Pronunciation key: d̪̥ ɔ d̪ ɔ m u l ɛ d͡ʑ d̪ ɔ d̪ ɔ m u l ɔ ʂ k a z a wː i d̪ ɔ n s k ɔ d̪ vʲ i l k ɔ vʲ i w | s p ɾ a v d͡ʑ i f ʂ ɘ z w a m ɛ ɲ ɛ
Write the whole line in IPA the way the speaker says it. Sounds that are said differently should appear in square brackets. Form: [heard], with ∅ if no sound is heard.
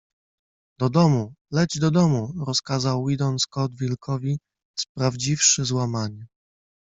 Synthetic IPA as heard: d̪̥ ɔ d̪ ɔ m u l ɛ d͡ʑ d̪ ɔ d̪ ɔ m u [ɾ] ɔ [s] k a z a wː i d̪ ɔ n s k ɔ d̪ vʲ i l k ɔ vʲ i [∅] | s p ɾ a v d͡ʑ i f ʂ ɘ z w a m [a] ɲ ɛ